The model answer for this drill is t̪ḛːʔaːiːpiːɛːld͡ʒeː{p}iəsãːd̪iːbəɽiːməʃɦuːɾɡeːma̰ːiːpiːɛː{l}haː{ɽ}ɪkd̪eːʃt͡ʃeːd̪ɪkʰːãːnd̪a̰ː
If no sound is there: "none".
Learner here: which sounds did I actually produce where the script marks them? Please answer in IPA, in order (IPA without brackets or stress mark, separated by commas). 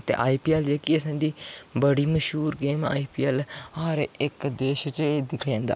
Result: k, l, ɾ